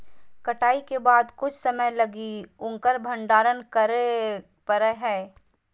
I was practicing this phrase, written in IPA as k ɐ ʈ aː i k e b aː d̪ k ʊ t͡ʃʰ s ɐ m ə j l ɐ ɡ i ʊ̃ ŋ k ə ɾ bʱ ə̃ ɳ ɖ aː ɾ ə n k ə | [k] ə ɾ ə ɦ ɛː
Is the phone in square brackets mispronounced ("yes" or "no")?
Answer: yes